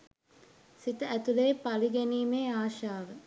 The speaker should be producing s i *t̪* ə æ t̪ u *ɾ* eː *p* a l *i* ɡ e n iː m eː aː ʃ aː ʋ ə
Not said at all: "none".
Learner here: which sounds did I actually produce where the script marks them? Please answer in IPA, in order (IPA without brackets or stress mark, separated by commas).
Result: t̪, l, p, i